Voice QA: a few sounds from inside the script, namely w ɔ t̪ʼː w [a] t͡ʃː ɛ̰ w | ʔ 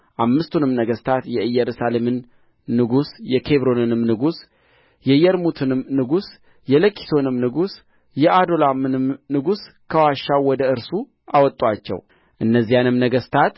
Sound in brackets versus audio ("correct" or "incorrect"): correct